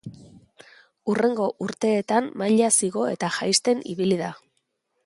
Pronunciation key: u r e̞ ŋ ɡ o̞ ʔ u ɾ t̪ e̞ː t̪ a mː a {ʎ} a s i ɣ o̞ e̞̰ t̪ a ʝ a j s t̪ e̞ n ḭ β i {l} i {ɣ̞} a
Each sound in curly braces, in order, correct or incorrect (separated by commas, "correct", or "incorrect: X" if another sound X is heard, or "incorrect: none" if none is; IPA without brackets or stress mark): correct, correct, incorrect: ð̞